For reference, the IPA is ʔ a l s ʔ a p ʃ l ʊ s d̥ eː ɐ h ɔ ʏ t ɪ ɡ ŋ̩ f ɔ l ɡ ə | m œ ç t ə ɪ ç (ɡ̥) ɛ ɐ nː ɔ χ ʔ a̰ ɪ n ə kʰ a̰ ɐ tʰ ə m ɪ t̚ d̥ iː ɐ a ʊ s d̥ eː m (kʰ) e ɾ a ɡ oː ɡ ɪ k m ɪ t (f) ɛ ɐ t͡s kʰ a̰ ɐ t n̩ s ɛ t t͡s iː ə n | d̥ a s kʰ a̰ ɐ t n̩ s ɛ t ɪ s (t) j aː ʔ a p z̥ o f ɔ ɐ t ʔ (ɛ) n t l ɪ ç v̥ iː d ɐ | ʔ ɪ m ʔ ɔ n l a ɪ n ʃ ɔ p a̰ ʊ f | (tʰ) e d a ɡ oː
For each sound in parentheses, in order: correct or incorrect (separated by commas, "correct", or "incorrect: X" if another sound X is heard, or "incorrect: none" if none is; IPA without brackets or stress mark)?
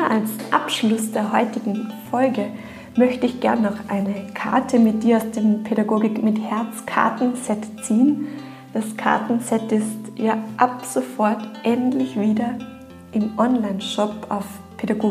correct, incorrect: pʰ, incorrect: h, correct, correct, incorrect: pʰ